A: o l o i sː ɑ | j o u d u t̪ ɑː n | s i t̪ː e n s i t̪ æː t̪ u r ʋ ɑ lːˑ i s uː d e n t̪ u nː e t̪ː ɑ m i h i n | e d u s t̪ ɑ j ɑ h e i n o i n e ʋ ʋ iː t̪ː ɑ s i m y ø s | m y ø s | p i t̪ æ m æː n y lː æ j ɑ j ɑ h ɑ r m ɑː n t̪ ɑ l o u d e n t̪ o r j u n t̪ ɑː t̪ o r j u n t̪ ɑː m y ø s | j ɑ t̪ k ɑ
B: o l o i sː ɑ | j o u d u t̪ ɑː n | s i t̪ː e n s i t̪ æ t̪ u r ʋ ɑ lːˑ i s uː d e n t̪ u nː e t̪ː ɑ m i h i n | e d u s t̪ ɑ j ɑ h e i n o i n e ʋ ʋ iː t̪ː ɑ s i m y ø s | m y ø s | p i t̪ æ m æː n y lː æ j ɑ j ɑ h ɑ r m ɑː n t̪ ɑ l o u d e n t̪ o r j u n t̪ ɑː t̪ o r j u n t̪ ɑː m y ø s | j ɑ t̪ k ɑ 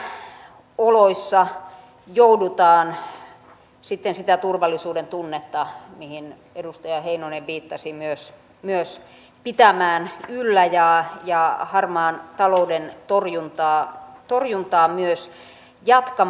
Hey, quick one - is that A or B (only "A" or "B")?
B